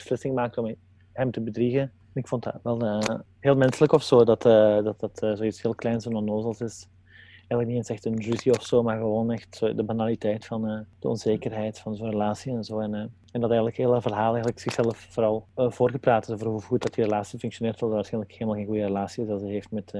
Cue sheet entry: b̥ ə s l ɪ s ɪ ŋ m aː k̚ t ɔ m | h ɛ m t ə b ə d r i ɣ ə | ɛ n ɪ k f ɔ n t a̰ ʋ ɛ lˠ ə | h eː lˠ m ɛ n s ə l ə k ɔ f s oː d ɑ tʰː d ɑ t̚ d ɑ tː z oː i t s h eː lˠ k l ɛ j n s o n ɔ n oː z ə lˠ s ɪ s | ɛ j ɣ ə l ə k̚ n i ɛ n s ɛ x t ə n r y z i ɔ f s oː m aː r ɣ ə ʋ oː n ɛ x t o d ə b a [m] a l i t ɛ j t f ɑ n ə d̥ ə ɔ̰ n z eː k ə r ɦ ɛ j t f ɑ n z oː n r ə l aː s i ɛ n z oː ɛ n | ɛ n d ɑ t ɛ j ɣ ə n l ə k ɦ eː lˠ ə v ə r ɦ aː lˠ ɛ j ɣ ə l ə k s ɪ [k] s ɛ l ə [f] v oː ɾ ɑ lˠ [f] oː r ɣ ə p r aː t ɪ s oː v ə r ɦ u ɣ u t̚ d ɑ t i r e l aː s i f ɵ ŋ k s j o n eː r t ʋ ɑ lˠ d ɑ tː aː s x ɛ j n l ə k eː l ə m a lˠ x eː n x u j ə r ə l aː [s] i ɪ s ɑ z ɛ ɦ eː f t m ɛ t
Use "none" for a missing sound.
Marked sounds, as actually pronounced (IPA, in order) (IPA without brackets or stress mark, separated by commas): n, x, f, v, s